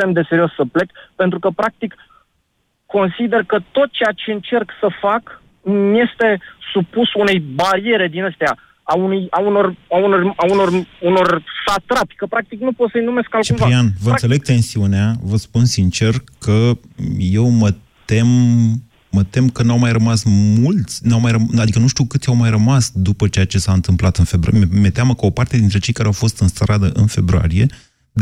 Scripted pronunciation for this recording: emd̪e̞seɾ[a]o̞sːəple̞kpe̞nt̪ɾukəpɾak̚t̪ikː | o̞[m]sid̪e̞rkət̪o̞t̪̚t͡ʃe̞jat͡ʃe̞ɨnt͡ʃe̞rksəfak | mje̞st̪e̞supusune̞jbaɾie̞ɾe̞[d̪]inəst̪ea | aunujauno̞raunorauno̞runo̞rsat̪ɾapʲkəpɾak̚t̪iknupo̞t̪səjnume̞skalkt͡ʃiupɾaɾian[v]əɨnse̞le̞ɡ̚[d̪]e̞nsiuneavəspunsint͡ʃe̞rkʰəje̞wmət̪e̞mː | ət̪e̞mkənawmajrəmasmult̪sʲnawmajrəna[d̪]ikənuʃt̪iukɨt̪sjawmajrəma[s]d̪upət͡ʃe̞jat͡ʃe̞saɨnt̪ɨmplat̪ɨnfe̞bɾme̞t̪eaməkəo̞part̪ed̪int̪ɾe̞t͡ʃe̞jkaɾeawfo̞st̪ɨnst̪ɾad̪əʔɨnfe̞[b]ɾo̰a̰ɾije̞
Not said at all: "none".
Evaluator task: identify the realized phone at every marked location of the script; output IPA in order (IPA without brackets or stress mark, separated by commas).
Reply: i, n, d̪, v, t̪, d̪, s, b